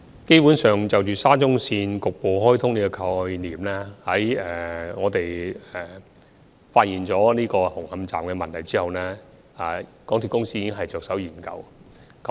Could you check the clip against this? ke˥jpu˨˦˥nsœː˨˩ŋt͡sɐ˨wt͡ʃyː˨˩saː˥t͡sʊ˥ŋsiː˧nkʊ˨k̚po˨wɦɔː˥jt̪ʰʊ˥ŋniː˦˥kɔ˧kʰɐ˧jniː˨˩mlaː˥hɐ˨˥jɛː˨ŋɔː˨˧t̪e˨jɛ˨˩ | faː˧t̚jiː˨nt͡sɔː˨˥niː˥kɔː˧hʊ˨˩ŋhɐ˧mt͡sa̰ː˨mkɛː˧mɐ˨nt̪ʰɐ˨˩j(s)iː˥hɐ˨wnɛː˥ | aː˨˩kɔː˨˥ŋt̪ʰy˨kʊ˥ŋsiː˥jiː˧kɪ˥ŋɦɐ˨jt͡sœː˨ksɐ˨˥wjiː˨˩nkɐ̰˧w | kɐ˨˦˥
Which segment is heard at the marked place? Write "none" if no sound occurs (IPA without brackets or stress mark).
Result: t͡s